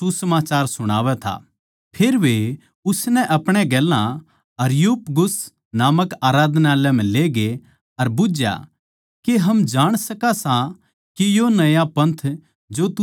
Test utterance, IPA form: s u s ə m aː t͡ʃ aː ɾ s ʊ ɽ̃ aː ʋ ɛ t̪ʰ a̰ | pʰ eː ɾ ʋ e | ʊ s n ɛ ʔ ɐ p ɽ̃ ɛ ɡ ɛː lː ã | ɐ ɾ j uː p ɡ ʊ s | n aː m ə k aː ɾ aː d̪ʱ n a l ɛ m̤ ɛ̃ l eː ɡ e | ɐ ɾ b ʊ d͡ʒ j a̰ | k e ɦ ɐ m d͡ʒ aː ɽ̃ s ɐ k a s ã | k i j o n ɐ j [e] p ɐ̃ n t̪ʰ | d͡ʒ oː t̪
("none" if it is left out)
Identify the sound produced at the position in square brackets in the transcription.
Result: a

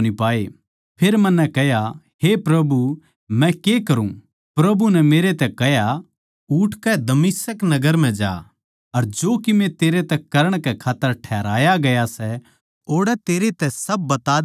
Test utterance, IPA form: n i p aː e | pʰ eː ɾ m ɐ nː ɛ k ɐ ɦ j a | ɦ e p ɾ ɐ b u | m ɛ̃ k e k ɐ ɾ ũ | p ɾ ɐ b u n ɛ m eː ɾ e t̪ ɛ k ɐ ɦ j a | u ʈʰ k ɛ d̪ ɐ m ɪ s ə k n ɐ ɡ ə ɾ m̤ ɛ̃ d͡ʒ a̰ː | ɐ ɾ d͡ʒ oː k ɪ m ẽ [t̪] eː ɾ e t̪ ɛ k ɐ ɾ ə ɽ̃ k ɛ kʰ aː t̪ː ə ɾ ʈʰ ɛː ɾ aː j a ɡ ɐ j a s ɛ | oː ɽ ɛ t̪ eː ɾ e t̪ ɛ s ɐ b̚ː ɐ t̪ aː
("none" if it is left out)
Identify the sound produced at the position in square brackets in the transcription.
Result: t̪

